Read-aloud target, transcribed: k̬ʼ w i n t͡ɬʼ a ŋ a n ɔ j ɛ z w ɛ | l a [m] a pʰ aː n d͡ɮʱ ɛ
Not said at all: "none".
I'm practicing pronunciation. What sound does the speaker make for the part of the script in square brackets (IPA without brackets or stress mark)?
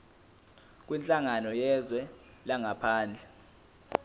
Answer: ŋ